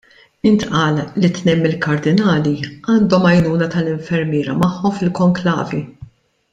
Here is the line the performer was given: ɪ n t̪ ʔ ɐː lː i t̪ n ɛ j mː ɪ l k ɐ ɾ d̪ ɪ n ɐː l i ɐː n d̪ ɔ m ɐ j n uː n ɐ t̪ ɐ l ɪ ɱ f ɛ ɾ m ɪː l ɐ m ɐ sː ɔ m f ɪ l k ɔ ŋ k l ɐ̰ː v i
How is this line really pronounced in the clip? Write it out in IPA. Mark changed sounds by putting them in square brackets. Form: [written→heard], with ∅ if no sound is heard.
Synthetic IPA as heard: ɪ n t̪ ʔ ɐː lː i t̪ n ɛ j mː ɪ l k ɐ ɾ d̪ ɪ n ɐː l i ɐː n d̪ ɔ m ɐ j n uː n ɐ t̪ ɐ l ɪ ɱ f ɛ ɾ m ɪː [l→ɾ] ɐ m ɐ [sː→ħː] ɔ m f ɪ l k ɔ ŋ k l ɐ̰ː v i